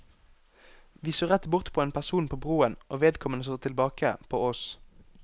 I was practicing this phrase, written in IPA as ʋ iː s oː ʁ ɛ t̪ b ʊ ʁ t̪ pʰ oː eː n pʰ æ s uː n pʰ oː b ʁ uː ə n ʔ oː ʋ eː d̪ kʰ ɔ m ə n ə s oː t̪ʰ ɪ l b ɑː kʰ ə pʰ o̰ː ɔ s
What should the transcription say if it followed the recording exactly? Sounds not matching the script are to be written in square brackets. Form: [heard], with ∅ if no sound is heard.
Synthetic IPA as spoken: ʋ iː s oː ʁ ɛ t̪ b ʊ ʁ t̪ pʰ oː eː n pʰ æ s uː n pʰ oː b ʁ uː ə n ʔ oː ʋ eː d̪ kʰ ɔ m ə n ə s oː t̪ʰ ɪ l b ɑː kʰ ə pʰ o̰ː ɔ s